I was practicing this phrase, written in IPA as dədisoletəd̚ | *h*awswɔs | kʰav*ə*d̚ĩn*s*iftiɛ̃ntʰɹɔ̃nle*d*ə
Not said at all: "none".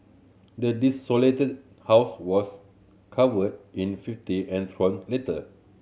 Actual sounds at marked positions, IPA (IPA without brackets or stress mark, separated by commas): h, ə, f, t